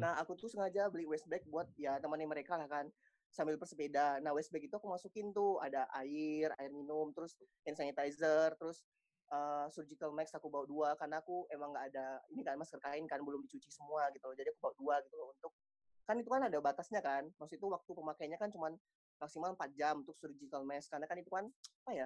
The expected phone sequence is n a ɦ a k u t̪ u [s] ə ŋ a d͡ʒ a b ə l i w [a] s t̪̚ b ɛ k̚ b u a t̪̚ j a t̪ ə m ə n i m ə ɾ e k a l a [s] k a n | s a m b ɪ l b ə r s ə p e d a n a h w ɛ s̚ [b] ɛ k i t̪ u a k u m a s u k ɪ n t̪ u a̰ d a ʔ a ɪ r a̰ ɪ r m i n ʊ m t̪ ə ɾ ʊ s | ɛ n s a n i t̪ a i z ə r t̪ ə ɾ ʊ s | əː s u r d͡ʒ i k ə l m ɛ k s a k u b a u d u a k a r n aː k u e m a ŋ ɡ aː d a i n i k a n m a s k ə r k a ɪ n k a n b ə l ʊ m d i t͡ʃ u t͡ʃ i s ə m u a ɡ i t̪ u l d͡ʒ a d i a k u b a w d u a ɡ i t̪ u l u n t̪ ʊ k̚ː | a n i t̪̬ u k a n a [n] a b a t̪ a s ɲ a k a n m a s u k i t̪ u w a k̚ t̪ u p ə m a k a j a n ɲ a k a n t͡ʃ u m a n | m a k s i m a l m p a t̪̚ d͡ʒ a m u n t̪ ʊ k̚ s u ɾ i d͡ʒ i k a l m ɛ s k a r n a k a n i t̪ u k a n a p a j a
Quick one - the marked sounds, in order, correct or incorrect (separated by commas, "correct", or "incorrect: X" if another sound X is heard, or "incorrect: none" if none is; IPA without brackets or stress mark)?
correct, incorrect: ɛ, incorrect: h, correct, incorrect: d